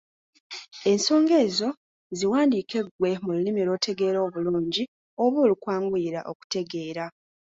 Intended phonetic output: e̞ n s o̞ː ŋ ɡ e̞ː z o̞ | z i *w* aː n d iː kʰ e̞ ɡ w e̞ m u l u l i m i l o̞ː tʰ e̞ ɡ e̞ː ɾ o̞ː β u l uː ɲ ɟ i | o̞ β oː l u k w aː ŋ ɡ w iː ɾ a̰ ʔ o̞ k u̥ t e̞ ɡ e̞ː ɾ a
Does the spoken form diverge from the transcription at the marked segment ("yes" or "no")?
no